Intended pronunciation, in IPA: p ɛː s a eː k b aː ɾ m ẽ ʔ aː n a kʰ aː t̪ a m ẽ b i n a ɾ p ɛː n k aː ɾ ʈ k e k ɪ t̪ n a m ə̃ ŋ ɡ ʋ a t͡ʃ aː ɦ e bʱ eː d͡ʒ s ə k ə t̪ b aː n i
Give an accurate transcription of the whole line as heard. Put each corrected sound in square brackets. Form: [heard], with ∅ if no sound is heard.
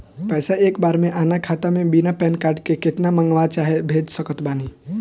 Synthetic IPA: p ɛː s a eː k b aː ɾ m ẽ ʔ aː n a kʰ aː t̪ a m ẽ b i n a [∅] p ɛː n k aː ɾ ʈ k e k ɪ t̪ n a m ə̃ ŋ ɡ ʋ a t͡ʃ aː ɦ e bʱ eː d͡ʒ s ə k ə t̪ b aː n i